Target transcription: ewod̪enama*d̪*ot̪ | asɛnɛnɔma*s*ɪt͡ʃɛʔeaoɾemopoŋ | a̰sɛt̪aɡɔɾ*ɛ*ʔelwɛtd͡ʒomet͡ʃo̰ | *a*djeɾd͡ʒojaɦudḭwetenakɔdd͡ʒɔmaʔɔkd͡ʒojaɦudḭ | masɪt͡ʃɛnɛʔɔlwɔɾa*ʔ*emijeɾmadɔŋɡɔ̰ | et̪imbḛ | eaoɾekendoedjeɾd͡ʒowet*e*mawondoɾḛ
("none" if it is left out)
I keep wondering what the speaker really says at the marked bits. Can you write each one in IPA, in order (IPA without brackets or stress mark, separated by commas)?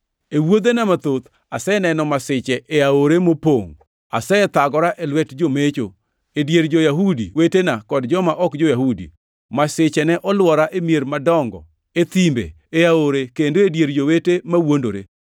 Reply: t̪, s, a, e, ʔ, e